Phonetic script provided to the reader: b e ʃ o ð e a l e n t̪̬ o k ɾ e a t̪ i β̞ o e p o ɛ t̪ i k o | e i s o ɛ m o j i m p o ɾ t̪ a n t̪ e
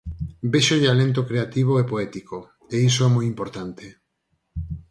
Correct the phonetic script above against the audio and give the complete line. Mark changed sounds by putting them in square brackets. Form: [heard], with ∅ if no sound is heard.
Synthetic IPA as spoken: b e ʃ o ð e a l e n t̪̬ o k ɾ e a t̪ i β̞ o e p o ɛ t̪ i k o | e i s o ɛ m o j i m p o ɾ t̪ a n t̪ e